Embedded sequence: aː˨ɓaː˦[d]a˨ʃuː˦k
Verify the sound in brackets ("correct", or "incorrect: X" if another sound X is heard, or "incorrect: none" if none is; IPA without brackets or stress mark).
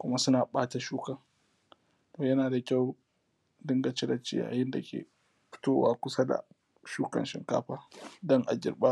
incorrect: t